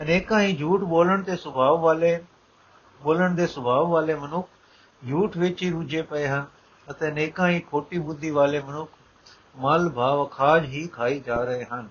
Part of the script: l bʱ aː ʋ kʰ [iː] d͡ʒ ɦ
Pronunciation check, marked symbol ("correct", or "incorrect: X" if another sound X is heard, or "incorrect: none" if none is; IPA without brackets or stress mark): incorrect: aː